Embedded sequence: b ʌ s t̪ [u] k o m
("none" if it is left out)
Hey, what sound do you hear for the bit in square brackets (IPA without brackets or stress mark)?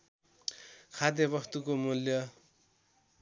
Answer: u